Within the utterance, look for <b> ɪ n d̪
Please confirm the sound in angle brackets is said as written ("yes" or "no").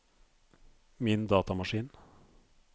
no